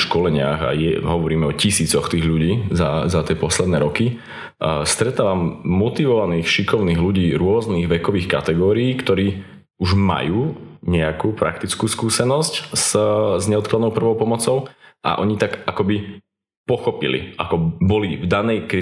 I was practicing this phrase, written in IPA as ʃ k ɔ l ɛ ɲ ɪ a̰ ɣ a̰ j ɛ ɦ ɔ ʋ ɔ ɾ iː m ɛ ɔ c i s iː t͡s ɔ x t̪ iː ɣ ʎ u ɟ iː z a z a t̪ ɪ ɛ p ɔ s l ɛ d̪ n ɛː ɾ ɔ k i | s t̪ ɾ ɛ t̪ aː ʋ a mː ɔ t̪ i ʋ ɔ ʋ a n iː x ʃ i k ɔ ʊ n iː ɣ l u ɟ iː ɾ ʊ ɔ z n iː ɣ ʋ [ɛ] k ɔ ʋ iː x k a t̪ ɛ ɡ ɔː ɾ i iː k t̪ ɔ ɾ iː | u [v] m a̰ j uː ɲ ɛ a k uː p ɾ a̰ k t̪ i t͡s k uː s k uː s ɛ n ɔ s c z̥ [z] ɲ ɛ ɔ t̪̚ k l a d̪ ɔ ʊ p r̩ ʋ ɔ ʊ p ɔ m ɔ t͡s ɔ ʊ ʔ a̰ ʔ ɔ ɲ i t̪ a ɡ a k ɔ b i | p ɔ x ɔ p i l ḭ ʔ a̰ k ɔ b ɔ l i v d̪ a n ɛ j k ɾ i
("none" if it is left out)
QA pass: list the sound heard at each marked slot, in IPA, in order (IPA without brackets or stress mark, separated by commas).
ɛ, ʒ, z